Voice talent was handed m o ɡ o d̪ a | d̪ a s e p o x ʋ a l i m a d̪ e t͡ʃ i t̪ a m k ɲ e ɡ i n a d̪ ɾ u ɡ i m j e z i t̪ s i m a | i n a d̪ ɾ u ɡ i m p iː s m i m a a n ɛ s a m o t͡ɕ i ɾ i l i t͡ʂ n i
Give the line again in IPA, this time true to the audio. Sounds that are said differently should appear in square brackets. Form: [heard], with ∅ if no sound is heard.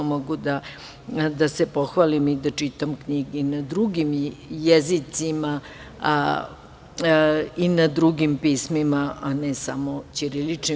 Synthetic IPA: m o ɡ [u] d̪ a | d̪ a s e p o x ʋ a l i m [i] d̪ [a] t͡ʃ i t̪ a m k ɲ [i] ɡ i n a d̪ ɾ u ɡ i m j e z i t̪ s i m a | i n a d̪ ɾ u ɡ i m p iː s m i m a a n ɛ s a m o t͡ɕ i ɾ i l i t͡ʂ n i